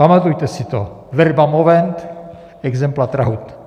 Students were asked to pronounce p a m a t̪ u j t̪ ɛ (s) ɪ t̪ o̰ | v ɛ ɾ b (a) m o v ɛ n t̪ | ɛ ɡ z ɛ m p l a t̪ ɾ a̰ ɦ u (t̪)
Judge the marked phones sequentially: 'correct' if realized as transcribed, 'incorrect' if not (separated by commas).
correct, correct, correct